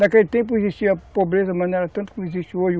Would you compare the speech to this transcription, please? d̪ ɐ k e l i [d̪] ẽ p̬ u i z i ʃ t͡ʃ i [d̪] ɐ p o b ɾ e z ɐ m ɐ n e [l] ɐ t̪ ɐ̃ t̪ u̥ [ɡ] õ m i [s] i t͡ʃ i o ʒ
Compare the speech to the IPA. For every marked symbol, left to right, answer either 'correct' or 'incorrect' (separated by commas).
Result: incorrect, incorrect, incorrect, incorrect, incorrect